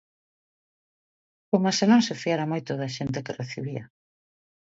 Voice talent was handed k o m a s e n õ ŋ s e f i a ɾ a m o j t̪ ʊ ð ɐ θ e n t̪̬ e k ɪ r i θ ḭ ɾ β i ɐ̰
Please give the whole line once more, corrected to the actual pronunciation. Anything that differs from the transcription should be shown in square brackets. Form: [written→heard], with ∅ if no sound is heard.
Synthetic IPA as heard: k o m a s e n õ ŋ s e f i a ɾ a m o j t̪ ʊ ð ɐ [θ→ʃ] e n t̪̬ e k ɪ r [i→e] θ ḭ [ɾ→∅] β i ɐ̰

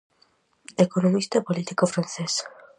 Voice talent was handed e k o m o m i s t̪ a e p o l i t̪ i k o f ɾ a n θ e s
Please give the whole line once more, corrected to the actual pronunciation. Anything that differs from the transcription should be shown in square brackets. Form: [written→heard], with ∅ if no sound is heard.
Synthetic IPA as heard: e k o [m→n] o m i s t̪ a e p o l i t̪ i k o f ɾ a n θ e s

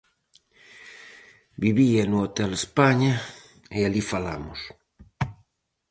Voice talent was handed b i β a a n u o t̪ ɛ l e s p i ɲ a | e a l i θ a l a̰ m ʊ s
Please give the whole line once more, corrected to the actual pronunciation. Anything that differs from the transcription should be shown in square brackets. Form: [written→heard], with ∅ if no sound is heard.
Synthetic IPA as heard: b i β [a→i] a n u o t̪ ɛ l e s p [i→a] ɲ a | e a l i [θ→f] a l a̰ m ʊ s

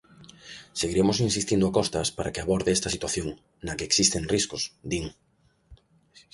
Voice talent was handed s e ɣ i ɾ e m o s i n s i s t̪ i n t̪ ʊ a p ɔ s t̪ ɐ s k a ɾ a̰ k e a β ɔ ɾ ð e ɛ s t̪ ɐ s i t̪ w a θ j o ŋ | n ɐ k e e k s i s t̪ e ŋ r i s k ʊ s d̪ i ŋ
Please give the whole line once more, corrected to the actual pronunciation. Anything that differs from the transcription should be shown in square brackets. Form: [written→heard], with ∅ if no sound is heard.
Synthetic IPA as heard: s e ɣ i ɾ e m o s i n s i s t̪ i n [t̪→d̪] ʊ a [p→k] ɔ s t̪ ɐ s [k→p] a ɾ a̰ k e a β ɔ ɾ ð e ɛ s t̪ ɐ s i t̪ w a θ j o ŋ | n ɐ k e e k s i s t̪ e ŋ r i s k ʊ s d̪ i ŋ

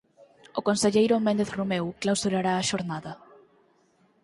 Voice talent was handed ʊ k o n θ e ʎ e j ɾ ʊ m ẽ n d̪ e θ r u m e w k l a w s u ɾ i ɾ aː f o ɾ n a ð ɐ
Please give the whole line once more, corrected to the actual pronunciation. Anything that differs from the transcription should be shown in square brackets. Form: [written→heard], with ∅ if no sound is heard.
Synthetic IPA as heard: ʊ k o n [θ→s] e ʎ e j ɾ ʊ m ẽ n d̪ e θ r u m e w k l a w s u ɾ [i→a] ɾ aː [f→ʃ] o ɾ n a ð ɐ

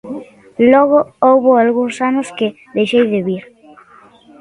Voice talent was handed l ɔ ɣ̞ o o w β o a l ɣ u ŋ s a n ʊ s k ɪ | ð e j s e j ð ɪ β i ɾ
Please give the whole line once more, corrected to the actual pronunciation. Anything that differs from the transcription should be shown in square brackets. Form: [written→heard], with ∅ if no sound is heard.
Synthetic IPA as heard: l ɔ ɣ̞ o o w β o a l ɣ u ŋ s a n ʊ s k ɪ | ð e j [s→ʃ] e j ð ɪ β i ɾ

